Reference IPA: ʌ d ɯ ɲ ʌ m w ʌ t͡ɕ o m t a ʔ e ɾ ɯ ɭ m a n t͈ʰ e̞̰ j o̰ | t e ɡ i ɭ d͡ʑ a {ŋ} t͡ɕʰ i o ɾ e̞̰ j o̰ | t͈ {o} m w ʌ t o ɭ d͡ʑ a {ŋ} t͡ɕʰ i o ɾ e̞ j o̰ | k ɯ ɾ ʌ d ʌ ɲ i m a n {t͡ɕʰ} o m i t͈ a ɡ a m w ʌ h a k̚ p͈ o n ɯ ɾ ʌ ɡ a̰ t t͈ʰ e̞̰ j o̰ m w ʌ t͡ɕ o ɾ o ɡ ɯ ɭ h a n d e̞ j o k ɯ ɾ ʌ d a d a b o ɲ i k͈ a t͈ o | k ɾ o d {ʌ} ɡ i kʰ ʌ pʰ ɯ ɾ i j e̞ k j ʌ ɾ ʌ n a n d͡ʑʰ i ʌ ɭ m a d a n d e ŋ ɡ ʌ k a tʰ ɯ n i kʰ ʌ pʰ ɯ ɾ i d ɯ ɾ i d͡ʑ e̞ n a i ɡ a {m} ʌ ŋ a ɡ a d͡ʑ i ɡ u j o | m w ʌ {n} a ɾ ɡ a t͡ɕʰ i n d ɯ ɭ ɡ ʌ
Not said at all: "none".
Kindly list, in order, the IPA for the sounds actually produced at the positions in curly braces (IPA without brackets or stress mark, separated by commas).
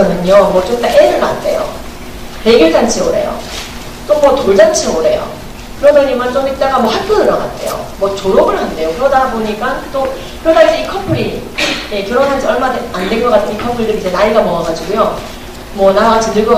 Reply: n, o, n, t͡ɕ, a, m, n